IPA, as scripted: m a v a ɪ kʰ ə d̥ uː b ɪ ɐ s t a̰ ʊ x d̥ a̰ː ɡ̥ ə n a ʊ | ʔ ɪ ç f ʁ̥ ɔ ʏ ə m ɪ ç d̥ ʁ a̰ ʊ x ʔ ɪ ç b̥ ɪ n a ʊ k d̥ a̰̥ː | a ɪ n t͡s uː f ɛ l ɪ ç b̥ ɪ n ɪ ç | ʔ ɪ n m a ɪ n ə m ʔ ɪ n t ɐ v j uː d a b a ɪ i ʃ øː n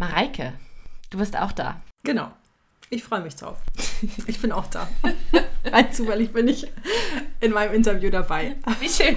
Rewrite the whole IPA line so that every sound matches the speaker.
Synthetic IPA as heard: m a ʁ a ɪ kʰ ə d̥ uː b ɪ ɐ s t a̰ ʊ x d̥ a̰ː ɡ̥ ə n a ʊ | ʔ ɪ ç f ʁ̥ ɔ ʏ ə m ɪ ç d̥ ʁ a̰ ʊ f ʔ ɪ ç b̥ ɪ n a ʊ x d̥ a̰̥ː | a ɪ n t͡s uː f ɛ l ɪ ç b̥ ɪ n ɪ ç | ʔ ɪ n m a ɪ n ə m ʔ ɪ n t ɐ v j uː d a b a ɪ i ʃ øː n